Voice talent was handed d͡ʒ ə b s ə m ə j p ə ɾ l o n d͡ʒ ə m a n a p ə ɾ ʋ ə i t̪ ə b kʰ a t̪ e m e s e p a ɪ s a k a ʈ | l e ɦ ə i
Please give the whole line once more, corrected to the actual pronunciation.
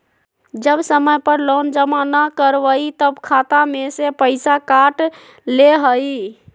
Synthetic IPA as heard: d͡ʒ ə b s ə m ə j p ə ɾ l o n d͡ʒ ə m a n a k ə ɾ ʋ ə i t̪ ə b kʰ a t̪ a m e s e p ə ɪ s a k a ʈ | l e ɦ ə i